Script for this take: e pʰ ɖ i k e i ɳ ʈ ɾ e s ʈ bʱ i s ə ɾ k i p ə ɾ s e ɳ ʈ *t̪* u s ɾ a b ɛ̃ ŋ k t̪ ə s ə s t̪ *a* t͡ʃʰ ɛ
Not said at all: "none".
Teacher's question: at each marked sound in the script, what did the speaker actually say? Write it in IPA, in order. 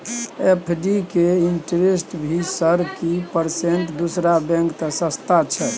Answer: d̪, a

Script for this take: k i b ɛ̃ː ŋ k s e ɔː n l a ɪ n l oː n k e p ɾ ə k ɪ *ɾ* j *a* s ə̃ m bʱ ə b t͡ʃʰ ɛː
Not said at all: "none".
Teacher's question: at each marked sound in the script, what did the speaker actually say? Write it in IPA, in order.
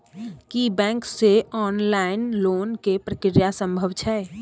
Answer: ɾ, a

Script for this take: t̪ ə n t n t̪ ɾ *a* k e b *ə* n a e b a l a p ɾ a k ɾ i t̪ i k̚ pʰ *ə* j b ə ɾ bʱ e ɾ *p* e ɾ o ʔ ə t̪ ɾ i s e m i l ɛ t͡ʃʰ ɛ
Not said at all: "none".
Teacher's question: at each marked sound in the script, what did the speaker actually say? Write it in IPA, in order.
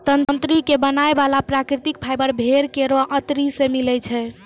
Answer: i, ə, a, k

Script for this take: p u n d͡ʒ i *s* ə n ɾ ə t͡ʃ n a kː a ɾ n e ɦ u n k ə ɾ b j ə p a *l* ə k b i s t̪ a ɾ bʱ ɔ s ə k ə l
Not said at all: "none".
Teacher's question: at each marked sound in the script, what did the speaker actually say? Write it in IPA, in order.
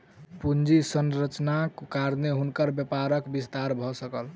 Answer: s, ɾ

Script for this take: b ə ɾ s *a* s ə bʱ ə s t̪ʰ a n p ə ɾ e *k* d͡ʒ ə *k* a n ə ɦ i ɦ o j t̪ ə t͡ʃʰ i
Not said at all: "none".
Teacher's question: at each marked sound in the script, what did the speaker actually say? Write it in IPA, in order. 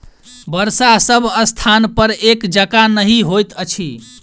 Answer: a, k, k

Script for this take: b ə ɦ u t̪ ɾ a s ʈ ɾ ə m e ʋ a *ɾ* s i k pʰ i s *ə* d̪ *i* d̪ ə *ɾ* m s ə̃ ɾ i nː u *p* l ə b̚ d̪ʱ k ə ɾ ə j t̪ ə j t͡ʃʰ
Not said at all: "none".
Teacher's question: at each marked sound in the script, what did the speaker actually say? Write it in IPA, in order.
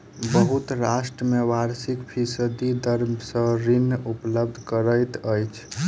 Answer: ɾ, ə, i, ɾ, p

